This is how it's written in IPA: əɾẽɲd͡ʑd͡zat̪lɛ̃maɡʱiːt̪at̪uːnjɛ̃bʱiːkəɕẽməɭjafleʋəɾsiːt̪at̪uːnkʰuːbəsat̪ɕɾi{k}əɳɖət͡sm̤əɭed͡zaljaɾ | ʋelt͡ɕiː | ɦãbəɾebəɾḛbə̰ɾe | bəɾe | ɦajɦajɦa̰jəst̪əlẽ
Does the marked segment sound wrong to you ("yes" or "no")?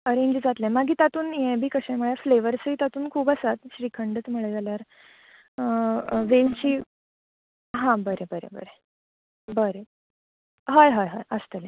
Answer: yes